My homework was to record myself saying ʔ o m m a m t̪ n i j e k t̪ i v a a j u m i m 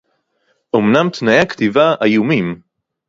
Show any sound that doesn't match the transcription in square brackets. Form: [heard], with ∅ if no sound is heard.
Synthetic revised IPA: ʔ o m [n] a m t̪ n [a] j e k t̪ i v a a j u m i m

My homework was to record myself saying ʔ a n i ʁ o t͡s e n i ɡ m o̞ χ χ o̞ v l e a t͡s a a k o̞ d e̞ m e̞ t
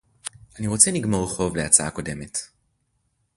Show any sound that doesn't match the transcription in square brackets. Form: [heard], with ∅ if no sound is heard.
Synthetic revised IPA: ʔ a n i ʁ o t͡s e n i ɡ m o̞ [ʁ] χ o̞ v l e a t͡s a a k o̞ d e̞ m e̞ t

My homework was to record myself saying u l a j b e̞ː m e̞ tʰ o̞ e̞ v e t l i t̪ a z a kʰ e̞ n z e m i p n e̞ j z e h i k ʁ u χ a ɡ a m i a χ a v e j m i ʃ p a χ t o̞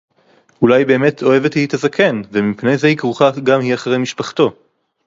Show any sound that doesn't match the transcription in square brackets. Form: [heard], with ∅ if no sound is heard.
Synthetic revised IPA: u l a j b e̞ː m e̞ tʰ o̞ e̞ v e t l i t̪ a z a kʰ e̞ n [v] e m i p n e̞ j z e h i k ʁ u χ a ɡ a m i a χ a [ʁ] e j m i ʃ p a χ t o̞

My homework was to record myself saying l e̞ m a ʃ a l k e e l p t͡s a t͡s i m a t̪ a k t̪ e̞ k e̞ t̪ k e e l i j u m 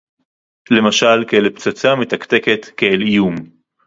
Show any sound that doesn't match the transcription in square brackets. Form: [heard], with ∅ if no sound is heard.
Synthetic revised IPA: l e̞ m a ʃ a l k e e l p t͡s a t͡s [a] m [e] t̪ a k t̪ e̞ k e̞ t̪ k e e l i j u m

